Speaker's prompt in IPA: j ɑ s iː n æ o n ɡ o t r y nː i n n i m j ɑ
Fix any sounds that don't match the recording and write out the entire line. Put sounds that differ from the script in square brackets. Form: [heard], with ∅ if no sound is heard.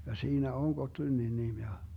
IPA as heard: j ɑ s iː n æ o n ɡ o t [l] y nː i n n i m j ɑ

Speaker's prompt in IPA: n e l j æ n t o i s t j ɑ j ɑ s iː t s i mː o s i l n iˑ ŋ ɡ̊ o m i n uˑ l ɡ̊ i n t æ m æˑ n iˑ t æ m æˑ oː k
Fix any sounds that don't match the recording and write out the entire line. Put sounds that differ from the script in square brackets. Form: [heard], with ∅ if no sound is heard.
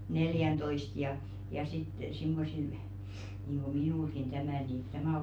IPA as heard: n e l j æ n t o i s t j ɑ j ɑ s [i] t s i mː o s i l n iˑ ŋ ɡ̊ o m i n uˑ l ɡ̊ i n t æ m æˑ n iˑ t æ m æˑ oː k

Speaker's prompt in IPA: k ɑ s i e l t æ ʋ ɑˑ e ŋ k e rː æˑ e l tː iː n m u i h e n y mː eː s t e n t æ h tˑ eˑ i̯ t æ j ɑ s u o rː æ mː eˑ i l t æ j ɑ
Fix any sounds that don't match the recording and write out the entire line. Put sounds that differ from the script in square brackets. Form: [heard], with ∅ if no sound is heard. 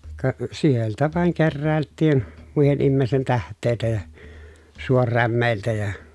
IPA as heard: k ɑ s i e l t æ ʋ ɑˑ e ŋ k e rː æˑ e l tː iː n m u i h e n [i] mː eː s t e n t æ h tˑ eˑ i̯ t æ j ɑ s u o rː æ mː eˑ i l t æ j ɑ

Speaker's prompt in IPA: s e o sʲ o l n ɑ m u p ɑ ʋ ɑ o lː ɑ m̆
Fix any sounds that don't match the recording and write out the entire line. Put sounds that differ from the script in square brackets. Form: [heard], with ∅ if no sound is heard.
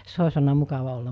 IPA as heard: s e o sʲ o l n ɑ m u [k] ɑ ʋ ɑ o lː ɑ m̆

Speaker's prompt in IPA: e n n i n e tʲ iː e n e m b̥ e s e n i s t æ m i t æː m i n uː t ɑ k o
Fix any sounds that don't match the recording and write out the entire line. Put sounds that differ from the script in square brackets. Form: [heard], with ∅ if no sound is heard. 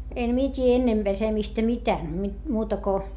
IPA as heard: e n [m] i [∅] e tʲ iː e [nː] e m b̥ e s e [m] i s t æ m i t æː m i [m] uː t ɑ k o

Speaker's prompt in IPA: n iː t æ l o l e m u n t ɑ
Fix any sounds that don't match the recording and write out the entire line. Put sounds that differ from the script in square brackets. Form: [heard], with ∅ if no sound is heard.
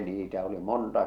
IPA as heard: n iː t æ [∅] o l [i] m [o] n t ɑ

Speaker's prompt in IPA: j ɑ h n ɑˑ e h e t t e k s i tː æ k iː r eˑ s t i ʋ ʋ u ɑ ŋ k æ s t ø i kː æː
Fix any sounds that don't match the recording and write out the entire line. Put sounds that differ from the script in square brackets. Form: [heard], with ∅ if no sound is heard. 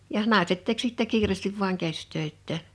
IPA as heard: j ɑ h n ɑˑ e [s] e t t e k s i tː æ k iː r eˑ s t i ʋ ʋ u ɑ ŋ k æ s t ø i [tː] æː

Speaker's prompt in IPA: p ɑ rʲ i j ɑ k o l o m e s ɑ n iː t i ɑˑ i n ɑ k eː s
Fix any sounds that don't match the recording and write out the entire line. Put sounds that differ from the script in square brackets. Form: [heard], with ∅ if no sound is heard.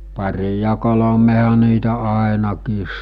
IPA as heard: p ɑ rʲ i j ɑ k o l o m e [h] ɑ n iː t [æ] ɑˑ [e] n ɑ k [iː] s

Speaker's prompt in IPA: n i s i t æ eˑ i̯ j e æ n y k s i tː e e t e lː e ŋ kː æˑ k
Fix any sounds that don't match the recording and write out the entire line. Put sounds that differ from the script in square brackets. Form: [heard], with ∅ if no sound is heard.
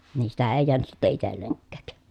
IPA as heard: n [iː] s i t æ eˑ i̯ j e æ n y [t] s i tː e [i] t e lː e ŋ kː æˑ k

